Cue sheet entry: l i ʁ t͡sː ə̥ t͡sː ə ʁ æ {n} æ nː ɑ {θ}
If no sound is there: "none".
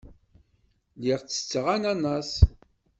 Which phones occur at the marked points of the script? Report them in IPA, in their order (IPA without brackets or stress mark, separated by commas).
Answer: n, s